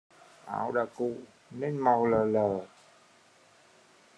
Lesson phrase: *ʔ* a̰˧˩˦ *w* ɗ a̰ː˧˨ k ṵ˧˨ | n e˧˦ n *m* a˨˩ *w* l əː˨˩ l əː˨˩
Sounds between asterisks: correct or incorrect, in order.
correct, correct, correct, correct

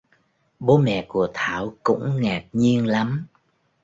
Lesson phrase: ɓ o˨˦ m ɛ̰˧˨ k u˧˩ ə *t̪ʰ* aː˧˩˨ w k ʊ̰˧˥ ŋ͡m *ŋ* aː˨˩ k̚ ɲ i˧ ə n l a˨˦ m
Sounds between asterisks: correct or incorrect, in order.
correct, correct

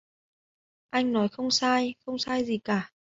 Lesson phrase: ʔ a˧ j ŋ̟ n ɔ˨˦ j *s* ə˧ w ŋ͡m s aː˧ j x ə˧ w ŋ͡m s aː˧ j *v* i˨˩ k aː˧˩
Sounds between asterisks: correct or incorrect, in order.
incorrect: x, incorrect: z

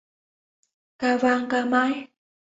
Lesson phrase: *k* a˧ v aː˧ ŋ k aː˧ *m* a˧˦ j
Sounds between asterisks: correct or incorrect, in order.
correct, correct

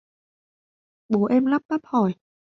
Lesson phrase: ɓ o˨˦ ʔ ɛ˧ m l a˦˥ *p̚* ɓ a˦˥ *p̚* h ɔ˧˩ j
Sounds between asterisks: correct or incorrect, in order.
correct, correct

